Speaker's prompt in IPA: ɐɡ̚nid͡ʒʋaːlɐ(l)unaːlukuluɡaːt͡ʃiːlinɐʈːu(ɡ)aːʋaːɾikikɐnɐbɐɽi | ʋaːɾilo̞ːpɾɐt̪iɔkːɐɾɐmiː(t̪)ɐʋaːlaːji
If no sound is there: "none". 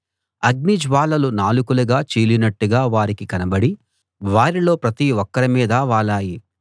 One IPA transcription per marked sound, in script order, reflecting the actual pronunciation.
l, ɡ, d̪

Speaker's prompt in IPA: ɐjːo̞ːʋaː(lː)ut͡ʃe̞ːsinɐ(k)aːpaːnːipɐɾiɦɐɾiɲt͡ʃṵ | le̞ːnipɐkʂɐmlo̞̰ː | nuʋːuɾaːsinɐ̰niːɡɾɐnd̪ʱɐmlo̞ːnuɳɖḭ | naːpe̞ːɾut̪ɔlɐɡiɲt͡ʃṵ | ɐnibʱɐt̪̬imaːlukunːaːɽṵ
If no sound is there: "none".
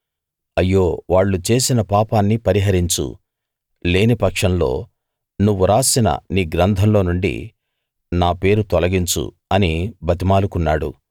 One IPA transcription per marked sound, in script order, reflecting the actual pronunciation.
ɭː, p

